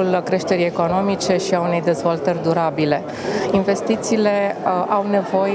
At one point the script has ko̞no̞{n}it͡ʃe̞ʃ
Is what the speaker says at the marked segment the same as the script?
no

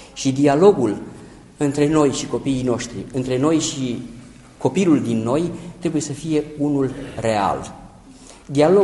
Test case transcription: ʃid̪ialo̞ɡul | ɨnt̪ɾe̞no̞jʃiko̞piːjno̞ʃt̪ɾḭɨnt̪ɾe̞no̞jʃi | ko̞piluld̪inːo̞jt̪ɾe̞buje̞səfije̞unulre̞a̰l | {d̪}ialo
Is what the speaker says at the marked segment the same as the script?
yes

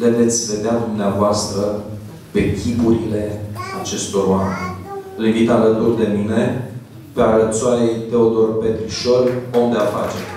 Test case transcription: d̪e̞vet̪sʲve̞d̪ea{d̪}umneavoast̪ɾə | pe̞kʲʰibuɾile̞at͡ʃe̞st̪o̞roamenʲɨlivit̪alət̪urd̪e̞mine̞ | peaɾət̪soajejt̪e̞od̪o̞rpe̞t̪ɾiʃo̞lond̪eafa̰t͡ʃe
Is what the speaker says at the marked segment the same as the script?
yes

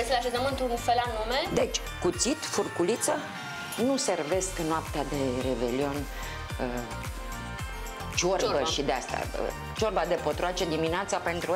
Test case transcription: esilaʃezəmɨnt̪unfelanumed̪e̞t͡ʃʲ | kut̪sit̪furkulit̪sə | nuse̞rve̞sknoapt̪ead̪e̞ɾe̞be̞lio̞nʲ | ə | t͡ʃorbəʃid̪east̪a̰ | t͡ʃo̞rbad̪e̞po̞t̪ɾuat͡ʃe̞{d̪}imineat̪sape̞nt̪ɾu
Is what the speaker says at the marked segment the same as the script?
yes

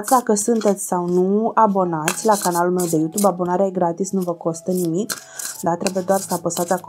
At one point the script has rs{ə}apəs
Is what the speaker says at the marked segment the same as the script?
yes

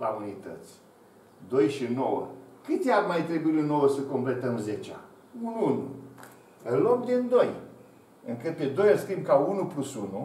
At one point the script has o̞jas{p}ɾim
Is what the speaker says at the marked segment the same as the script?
no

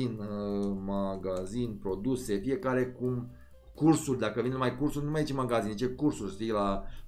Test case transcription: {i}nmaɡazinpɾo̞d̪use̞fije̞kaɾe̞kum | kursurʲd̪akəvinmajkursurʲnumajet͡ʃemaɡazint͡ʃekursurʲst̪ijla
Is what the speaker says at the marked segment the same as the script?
yes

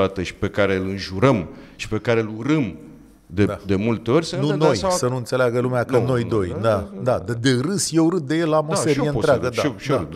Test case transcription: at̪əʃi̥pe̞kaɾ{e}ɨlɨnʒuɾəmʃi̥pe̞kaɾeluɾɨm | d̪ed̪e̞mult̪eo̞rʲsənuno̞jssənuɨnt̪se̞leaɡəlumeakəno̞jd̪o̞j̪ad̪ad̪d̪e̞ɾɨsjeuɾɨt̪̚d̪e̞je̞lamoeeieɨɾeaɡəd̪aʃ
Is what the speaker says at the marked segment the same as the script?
yes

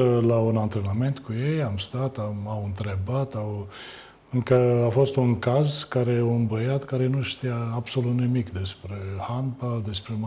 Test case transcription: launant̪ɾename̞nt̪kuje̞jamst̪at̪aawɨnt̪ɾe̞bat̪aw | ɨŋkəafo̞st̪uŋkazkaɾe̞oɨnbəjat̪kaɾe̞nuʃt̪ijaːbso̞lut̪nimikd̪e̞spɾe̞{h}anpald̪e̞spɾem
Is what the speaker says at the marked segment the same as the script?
yes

